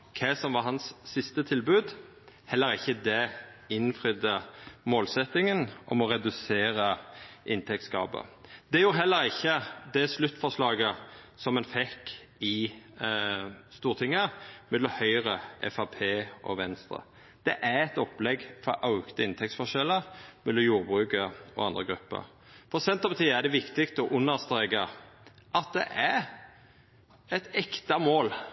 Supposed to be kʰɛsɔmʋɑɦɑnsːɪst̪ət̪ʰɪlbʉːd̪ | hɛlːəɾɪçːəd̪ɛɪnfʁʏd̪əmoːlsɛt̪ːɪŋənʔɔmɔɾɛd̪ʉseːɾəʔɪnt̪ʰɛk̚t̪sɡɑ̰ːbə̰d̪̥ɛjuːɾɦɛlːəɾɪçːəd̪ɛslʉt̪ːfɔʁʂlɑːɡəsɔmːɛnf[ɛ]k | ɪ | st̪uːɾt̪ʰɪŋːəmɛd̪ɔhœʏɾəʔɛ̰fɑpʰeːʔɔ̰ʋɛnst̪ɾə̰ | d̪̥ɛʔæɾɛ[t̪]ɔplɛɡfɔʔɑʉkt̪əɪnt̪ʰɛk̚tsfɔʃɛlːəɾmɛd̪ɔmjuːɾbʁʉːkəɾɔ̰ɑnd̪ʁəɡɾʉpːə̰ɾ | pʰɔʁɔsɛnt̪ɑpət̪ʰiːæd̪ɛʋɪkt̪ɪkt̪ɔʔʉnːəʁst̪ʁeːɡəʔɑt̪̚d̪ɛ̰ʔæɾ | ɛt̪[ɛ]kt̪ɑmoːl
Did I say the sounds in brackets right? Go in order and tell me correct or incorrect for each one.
correct, correct, correct

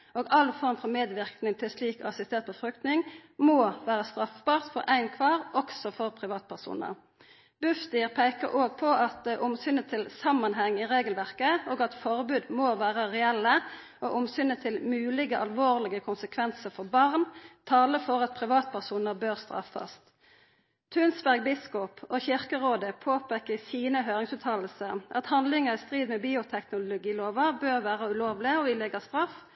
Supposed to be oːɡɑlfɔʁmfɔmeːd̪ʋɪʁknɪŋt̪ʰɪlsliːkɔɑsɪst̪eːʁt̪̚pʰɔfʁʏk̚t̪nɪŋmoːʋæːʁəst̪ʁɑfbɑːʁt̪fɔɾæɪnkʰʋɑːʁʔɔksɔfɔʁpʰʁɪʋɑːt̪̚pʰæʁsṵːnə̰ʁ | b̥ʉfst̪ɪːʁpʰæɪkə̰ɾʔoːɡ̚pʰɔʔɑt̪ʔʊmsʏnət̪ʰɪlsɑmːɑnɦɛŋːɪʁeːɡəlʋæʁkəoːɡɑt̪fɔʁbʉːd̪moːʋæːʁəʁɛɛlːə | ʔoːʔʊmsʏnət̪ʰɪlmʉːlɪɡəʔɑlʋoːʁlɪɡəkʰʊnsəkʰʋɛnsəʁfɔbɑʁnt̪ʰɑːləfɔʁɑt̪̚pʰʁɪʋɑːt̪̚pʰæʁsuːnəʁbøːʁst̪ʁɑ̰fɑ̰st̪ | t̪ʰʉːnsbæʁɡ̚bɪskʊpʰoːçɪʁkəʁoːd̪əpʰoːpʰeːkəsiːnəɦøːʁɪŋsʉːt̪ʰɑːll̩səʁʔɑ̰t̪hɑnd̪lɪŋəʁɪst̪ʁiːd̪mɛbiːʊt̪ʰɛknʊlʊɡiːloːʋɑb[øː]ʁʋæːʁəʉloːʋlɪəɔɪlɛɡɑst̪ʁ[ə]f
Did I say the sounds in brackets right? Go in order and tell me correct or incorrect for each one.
correct, incorrect: ɑ

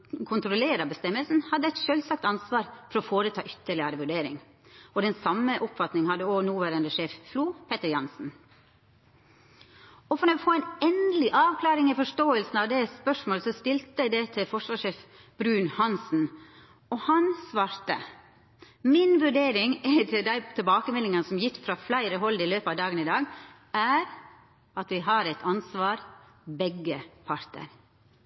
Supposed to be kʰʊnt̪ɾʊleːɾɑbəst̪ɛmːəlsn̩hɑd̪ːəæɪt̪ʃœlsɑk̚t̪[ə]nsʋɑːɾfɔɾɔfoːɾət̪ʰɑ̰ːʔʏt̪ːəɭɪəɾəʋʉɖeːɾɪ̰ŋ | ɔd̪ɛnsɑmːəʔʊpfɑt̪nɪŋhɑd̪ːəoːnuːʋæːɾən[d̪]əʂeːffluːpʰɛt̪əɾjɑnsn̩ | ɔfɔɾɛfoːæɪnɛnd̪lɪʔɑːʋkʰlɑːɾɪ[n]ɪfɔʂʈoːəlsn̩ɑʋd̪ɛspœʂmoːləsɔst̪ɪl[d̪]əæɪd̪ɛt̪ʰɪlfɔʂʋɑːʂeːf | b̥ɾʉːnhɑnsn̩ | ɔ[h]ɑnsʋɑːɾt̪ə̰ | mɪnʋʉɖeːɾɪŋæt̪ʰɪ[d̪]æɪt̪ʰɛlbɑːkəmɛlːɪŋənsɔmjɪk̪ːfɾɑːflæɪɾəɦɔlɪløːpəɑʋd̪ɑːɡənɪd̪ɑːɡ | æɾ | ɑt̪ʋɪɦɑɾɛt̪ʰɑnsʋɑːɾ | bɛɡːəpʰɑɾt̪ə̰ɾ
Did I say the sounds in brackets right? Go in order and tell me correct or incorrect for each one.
incorrect: ɑ, correct, incorrect: ŋ, incorrect: t̪, correct, correct

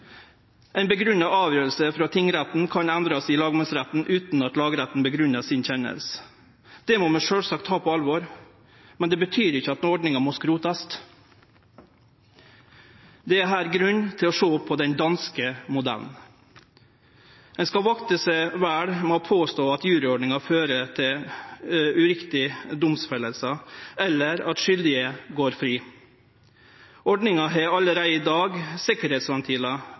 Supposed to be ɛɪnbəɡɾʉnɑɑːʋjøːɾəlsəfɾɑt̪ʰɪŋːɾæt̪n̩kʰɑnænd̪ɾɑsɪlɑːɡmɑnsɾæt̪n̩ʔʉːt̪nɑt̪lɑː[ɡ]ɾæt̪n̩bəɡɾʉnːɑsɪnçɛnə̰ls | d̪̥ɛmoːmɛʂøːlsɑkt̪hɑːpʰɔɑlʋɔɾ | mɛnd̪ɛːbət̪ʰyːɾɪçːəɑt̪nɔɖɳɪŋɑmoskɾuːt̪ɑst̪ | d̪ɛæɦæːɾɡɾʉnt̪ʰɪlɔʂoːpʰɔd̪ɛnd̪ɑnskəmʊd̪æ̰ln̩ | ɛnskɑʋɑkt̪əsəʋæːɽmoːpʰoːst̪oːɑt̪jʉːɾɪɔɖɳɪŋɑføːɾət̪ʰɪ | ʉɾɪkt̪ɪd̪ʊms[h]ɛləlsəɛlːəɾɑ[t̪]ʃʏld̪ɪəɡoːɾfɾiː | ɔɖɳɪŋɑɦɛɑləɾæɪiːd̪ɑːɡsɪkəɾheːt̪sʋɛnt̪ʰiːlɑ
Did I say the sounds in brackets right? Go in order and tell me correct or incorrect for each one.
correct, incorrect: f, correct

